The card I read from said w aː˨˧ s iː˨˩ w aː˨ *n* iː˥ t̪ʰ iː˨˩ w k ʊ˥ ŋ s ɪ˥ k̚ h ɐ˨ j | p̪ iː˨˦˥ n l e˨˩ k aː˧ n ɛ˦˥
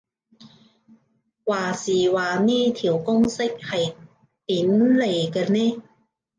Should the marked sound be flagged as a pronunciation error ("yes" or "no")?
no